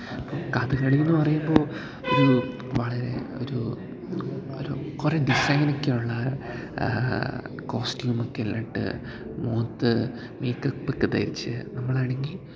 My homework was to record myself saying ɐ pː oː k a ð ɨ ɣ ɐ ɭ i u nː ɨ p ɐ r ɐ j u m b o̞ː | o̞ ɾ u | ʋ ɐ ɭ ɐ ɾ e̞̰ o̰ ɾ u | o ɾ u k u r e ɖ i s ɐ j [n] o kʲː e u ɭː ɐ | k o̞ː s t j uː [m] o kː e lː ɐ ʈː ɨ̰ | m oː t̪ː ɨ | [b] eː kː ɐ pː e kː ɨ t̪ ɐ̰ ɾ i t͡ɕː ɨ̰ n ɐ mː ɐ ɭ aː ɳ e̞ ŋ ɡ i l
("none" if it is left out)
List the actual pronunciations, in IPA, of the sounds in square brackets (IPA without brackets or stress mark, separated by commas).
n, m, m